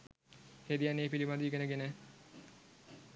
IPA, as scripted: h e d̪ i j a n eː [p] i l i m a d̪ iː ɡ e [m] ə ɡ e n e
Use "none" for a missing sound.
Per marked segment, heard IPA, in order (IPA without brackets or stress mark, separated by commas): p, n